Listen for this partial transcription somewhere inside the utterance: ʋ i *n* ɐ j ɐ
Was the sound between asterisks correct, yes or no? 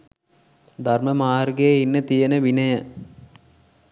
yes